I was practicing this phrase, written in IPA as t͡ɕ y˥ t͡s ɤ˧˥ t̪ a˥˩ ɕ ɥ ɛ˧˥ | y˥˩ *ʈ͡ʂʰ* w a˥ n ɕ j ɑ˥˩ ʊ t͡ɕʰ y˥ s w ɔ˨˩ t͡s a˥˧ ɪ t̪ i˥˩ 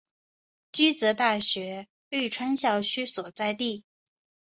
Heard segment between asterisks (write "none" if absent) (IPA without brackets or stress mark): ʈ͡ʂʰ